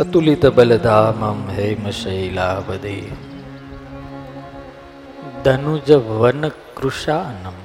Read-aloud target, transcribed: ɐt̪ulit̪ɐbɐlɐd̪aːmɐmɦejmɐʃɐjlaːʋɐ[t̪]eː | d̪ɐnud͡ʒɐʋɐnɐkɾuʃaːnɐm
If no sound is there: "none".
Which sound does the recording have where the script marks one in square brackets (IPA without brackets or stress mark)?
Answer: d̪